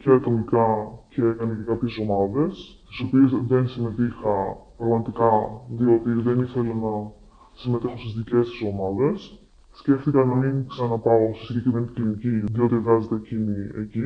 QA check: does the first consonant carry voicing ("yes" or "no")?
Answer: no